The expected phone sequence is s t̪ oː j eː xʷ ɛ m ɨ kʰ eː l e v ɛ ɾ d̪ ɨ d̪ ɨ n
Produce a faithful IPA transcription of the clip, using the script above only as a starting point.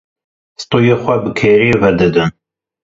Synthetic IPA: s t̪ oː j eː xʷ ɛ b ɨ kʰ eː ɾ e v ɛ ɾ d̪ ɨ d̪ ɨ n

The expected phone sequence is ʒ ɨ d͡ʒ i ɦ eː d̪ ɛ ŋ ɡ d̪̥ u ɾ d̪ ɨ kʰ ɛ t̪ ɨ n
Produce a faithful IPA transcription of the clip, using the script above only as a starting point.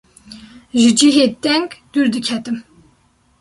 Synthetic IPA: ʒ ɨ d͡ʒ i ɦ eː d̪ ɛ ŋ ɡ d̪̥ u ɾ d̪ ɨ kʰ ɛ t̪ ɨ m

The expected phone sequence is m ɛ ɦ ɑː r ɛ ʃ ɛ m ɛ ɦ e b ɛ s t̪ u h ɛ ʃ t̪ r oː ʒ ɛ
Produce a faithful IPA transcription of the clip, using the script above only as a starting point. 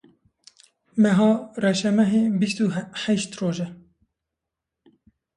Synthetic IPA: m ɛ ɦ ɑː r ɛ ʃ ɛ m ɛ ɦ e b i s t̪ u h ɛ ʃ t̪ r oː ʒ ɛ

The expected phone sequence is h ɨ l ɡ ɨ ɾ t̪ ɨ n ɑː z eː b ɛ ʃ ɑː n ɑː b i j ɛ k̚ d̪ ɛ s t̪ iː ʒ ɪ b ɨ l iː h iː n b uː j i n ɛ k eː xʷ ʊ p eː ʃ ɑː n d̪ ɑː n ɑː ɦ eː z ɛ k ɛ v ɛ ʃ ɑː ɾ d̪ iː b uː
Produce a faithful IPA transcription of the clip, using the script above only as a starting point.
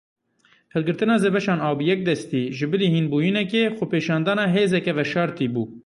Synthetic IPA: h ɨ l ɡ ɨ ɾ t̪ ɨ n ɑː z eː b ɛ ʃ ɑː n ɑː b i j ɛ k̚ d̪ ɛ s t̪ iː ʒ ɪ b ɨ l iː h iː n b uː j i n ɛ k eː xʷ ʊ p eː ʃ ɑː n d̪ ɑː n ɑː ɦ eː z ɛ k ɛ v ɛ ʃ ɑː ɾ t̪ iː b uː

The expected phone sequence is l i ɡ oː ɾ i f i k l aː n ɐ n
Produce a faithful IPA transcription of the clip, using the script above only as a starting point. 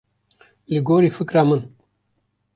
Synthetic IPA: l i ɡ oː ɾ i f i k ɾ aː m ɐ n

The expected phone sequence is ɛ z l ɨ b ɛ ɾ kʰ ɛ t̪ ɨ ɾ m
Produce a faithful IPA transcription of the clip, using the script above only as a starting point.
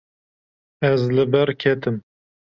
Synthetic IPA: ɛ z l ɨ b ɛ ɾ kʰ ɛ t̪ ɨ m

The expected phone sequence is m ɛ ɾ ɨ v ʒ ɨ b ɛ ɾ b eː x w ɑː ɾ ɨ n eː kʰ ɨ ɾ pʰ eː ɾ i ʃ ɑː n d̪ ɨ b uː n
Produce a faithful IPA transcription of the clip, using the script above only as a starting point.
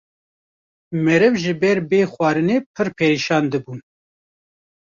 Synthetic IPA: m ɛ ɾ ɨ v ʒ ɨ b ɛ ɾ b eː x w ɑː ɾ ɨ n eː pʰ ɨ ɾ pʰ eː ɾ i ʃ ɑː n d̪ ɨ b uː n

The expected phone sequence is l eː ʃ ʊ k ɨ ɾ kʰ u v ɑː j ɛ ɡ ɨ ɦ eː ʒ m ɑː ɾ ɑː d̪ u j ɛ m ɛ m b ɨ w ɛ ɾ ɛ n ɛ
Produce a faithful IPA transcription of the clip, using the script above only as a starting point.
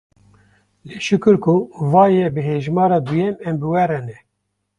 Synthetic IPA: l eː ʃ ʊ k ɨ ɾ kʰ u v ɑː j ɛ b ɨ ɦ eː ʒ m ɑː ɾ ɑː d̪ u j ɛ m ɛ m b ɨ w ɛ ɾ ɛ n ɛ

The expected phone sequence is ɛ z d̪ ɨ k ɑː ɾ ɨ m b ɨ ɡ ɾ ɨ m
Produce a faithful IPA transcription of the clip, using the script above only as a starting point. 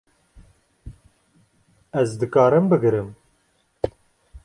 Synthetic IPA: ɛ z d̪ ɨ k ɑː ɾ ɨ m b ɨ ɡ ɾ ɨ m

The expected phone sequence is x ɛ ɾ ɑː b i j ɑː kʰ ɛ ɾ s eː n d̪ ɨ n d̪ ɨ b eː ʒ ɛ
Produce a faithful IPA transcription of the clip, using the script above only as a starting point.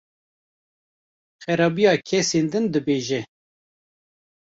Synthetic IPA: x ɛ ɾ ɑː b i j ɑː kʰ ɛ s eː n d̪ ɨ n d̪ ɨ b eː ʒ ɛ

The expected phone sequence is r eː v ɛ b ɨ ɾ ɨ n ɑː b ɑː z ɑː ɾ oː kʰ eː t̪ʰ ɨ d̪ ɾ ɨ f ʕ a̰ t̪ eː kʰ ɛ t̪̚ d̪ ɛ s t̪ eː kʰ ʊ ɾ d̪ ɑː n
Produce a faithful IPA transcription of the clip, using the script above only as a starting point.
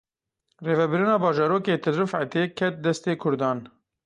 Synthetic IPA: r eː v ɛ b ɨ ɾ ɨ n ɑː b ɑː ʒ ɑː ɾ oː k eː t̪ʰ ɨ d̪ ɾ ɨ f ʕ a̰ t̪ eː kʰ ɛ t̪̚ d̪ ɛ s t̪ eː kʰ ʊ ɾ d̪ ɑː n

